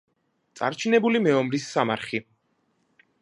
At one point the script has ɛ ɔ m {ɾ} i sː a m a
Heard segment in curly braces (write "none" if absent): ɾ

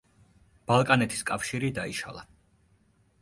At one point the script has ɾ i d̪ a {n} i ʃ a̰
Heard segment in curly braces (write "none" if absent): none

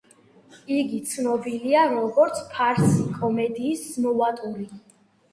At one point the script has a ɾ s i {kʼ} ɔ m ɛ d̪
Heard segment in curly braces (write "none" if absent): kʼ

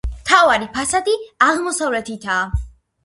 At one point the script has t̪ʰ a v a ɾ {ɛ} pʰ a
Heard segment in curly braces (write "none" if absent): i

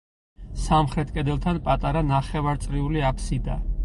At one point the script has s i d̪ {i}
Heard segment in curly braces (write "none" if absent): a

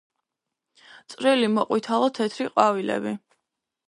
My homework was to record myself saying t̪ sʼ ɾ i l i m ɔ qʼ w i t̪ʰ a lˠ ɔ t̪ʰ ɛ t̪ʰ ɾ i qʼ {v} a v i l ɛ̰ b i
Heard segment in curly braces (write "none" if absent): w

